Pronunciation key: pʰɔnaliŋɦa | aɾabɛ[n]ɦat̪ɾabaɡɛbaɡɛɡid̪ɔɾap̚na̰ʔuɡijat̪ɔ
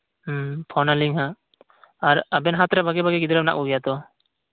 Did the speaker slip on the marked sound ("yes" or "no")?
no